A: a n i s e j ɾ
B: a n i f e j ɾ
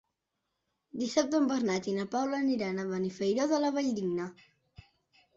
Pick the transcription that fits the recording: B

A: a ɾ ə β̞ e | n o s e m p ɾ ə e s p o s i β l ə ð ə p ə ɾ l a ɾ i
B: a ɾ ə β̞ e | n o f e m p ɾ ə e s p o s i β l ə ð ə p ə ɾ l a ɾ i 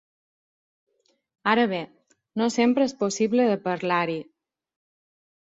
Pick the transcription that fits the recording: A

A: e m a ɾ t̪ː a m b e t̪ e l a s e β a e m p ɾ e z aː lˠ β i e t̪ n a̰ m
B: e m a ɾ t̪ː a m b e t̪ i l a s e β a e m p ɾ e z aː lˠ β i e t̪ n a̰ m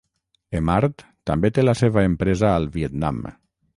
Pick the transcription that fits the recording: A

